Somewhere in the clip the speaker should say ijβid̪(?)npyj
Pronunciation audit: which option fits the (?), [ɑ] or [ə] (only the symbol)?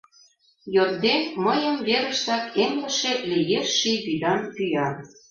ɑ